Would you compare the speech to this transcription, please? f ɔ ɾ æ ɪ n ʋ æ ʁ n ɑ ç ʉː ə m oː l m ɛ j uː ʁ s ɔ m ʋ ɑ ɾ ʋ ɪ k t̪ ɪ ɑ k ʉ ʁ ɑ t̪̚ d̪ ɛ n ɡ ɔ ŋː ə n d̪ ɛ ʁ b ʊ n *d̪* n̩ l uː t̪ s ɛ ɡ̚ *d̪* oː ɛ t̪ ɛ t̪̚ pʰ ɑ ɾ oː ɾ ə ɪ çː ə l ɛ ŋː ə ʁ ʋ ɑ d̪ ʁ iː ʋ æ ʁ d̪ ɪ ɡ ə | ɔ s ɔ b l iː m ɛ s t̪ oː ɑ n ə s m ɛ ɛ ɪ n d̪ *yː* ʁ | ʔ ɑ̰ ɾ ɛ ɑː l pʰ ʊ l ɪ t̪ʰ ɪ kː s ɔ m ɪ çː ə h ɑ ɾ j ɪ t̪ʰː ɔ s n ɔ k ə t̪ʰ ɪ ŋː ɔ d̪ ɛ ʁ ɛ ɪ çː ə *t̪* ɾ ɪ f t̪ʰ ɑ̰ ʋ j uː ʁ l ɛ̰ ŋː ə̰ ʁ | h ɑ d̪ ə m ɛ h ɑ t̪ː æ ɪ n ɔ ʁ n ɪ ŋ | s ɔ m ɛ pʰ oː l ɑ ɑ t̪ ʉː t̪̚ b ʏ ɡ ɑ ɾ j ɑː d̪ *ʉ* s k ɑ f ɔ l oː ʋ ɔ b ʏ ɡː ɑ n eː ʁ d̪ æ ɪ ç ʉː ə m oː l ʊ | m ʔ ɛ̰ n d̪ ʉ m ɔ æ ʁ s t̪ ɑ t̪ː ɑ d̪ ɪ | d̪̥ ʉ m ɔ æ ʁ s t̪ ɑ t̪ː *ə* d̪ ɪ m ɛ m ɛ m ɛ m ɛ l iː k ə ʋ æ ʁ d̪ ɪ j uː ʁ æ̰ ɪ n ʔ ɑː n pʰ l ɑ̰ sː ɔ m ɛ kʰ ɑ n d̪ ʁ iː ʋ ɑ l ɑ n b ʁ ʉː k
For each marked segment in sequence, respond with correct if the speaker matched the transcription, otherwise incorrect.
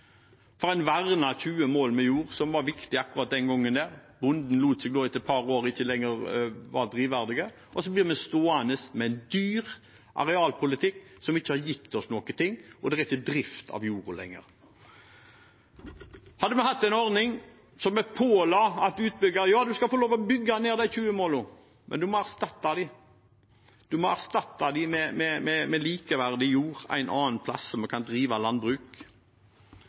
correct, correct, correct, incorrect, correct, incorrect

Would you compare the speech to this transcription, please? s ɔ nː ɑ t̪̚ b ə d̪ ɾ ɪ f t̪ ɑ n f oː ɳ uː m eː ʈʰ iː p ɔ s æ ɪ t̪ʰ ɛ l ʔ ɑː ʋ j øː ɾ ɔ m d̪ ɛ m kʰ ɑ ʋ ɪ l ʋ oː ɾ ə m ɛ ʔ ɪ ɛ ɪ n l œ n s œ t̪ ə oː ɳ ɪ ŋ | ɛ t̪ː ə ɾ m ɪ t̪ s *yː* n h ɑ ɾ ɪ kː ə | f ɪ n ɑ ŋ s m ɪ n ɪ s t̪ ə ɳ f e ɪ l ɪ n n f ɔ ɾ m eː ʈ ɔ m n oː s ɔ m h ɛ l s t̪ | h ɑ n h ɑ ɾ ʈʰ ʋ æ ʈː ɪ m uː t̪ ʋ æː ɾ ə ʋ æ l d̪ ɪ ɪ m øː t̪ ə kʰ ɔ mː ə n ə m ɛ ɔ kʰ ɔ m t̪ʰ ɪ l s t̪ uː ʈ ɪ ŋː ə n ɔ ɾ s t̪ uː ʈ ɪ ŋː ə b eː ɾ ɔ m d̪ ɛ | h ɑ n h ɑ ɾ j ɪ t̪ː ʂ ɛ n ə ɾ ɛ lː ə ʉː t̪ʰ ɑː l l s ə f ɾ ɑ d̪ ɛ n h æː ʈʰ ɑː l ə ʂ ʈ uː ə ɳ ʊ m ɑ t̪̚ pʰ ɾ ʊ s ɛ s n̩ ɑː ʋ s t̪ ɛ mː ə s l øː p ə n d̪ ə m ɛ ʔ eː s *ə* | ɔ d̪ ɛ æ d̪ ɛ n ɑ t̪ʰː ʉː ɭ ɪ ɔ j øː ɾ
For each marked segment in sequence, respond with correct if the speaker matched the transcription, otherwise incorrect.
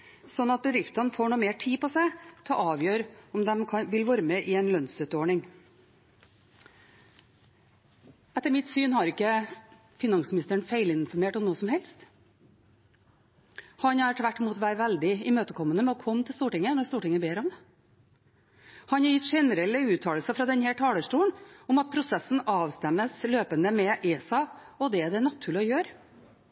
correct, incorrect

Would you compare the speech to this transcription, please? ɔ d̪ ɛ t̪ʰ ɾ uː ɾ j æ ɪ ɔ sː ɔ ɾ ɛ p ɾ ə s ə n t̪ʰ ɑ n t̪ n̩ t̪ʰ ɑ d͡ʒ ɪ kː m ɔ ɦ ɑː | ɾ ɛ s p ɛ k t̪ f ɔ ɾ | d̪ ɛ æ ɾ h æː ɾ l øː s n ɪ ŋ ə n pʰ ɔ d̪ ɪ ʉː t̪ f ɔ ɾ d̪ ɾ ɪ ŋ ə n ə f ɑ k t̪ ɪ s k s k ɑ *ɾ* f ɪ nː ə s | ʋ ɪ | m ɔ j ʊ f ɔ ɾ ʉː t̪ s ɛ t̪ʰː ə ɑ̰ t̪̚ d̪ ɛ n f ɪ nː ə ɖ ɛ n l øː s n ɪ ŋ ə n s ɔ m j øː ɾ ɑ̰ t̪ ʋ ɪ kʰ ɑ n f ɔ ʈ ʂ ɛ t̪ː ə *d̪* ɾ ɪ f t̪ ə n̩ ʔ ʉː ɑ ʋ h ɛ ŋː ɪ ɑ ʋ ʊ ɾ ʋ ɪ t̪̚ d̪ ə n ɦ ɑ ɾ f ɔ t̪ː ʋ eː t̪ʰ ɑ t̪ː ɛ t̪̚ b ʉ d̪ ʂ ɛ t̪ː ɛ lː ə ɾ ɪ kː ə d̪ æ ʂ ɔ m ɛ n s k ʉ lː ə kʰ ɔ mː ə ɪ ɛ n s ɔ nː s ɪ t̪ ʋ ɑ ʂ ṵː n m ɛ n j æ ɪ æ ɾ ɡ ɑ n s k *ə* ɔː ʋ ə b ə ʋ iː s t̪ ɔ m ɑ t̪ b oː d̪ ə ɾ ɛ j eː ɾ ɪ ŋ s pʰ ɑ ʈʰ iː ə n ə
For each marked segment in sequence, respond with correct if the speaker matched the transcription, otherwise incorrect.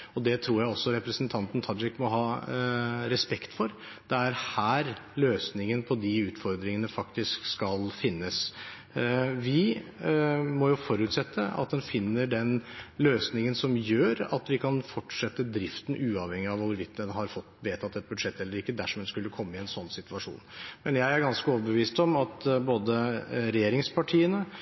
incorrect, correct, correct

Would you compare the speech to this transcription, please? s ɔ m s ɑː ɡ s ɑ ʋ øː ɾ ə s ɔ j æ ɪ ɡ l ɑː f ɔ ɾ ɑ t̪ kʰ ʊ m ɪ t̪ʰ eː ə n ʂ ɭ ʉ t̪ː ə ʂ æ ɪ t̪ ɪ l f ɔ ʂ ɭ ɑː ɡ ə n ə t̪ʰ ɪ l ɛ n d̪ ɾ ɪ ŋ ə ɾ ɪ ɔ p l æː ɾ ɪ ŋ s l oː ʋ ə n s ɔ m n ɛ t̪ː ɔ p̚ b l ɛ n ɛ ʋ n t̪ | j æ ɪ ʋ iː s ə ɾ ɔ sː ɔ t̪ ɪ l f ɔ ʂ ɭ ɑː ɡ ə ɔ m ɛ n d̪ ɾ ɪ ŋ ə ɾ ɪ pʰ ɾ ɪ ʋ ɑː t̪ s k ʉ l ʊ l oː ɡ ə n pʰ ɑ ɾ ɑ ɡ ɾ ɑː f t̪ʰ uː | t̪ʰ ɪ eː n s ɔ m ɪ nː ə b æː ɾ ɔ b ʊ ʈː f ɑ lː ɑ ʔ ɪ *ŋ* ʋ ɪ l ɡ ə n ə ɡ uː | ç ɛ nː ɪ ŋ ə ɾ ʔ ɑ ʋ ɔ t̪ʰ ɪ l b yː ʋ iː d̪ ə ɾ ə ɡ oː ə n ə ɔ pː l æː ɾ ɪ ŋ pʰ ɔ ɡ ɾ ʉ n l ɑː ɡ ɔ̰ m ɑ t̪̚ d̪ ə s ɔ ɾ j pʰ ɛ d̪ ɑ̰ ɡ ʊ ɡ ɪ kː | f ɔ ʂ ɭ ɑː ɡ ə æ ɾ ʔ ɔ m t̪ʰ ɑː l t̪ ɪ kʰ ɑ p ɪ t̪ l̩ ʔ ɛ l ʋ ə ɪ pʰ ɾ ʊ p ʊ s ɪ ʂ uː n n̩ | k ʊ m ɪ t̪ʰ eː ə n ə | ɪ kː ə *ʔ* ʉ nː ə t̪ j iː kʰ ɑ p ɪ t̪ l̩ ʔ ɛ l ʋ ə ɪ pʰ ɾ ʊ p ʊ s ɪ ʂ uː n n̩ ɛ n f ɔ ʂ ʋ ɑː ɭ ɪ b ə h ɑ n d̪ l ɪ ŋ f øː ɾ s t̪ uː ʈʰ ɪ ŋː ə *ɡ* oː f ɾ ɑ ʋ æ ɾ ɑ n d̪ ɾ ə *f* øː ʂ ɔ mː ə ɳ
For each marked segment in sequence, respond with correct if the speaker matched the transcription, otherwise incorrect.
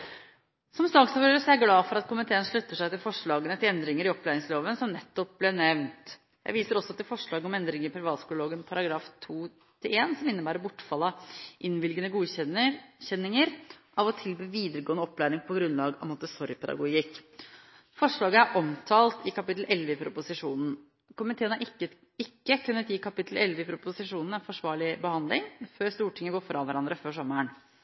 incorrect, incorrect, correct, correct

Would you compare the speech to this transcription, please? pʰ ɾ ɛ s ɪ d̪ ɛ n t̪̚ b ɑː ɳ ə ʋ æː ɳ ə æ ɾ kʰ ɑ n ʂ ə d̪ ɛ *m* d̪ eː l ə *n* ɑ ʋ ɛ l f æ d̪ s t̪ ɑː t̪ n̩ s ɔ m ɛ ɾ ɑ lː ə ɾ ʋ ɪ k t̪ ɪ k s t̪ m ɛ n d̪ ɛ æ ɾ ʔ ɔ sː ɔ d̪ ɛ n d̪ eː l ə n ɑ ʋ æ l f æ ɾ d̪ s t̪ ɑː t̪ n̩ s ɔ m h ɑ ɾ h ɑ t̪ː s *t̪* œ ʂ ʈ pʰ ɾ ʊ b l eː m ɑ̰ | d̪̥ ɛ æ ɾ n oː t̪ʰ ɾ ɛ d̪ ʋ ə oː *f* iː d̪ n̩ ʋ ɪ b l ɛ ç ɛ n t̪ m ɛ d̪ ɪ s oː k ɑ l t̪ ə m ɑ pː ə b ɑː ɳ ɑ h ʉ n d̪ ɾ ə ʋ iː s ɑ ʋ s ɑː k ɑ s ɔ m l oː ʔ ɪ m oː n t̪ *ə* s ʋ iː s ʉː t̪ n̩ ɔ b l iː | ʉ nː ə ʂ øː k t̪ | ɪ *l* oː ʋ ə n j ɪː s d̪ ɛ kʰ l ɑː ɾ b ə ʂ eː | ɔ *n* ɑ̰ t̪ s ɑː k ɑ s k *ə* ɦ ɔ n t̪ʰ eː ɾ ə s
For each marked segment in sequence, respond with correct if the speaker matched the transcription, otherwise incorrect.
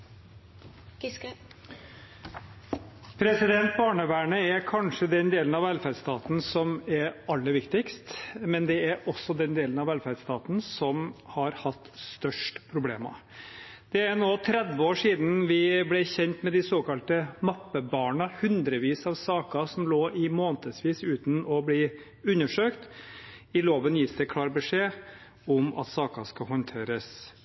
incorrect, correct, correct, incorrect, correct, correct, incorrect, incorrect

